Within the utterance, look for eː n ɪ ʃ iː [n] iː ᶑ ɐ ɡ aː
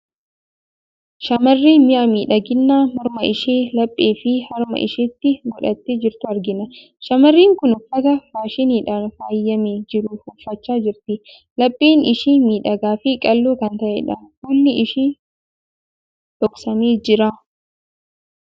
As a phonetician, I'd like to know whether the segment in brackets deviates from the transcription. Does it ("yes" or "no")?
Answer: yes